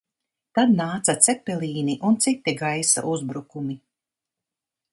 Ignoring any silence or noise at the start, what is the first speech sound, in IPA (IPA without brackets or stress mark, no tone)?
t̪